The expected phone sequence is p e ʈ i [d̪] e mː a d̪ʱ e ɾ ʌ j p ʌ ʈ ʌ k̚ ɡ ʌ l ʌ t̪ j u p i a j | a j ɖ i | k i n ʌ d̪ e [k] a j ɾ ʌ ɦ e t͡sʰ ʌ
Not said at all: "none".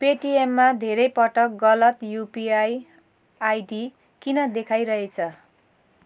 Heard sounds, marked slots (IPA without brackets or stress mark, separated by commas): none, kʰ